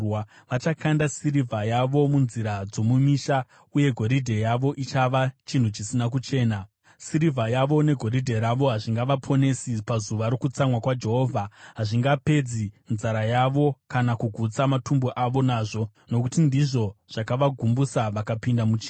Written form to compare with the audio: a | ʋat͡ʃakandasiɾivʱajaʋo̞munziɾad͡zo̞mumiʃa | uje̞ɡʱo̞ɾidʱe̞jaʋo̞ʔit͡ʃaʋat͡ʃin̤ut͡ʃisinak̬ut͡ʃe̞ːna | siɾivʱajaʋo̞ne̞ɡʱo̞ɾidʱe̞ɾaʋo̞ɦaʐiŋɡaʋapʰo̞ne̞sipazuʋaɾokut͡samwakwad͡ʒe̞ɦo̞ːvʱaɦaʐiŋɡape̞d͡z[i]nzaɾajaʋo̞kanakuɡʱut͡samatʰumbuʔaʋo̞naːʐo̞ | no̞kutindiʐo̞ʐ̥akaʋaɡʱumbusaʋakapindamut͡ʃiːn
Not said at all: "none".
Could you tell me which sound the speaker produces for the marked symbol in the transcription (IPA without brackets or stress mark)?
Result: i